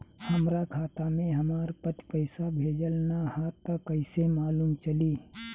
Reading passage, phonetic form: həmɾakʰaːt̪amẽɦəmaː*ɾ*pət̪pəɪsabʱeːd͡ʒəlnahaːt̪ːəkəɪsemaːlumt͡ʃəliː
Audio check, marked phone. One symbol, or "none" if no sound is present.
ɾ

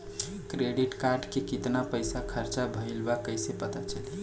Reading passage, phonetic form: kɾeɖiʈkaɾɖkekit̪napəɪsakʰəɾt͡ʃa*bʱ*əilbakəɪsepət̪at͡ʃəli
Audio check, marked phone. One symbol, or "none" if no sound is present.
bʱ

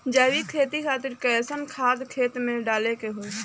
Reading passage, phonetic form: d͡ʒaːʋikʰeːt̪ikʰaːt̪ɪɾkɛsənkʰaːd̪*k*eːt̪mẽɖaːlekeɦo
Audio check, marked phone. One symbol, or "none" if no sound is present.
kʰ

